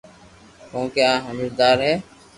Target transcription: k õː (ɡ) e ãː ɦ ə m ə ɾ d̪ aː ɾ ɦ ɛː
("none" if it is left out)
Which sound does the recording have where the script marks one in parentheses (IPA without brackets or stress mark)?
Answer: k